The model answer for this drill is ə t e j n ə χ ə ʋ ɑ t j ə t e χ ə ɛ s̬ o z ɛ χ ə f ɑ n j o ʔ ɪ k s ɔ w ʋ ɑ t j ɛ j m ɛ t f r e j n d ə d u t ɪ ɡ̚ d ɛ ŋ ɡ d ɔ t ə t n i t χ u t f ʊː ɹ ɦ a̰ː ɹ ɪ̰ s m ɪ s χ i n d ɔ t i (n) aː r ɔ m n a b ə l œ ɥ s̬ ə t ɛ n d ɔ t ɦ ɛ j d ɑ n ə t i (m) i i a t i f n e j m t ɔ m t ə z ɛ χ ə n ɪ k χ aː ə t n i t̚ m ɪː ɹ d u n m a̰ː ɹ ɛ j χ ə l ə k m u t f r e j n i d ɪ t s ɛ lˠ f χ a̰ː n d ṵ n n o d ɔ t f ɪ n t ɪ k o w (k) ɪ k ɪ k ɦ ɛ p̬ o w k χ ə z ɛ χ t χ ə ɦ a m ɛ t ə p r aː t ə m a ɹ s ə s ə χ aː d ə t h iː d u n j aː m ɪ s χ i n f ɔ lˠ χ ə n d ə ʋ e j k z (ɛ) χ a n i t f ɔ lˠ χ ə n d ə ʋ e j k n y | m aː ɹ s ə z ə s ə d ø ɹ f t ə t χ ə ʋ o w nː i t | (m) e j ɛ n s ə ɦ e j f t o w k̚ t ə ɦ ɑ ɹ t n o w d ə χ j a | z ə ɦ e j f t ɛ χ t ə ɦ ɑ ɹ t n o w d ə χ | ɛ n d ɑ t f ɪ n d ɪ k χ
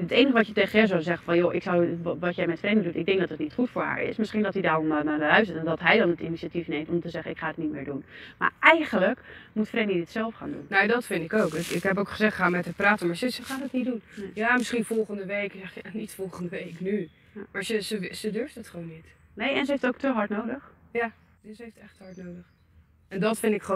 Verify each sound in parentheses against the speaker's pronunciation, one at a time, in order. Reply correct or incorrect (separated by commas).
incorrect, incorrect, correct, correct, incorrect